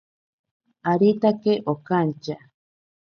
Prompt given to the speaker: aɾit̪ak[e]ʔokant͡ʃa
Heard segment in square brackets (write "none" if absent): e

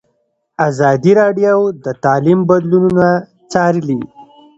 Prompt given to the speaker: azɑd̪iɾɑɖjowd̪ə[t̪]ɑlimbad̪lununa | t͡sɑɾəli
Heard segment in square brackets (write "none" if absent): t̪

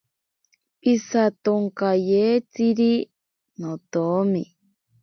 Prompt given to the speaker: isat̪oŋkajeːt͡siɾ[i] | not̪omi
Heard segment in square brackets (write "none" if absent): i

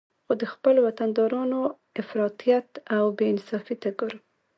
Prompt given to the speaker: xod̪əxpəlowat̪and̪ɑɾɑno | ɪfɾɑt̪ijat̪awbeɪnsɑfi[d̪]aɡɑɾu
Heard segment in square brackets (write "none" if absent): t̪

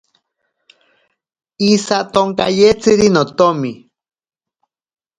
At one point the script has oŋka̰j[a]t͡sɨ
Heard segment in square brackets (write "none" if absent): e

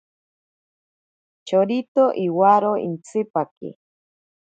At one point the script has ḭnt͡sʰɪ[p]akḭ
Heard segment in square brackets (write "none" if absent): p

